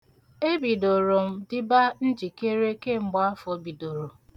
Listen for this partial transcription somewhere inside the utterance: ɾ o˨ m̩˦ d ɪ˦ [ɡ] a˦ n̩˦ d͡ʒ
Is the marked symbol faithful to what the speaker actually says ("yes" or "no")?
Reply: no